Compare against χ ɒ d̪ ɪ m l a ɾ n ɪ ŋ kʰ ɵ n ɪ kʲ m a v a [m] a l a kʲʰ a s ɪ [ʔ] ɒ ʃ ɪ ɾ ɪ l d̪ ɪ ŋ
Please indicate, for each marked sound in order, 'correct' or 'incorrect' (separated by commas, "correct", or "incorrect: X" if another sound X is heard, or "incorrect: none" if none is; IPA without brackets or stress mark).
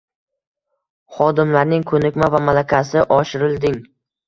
correct, correct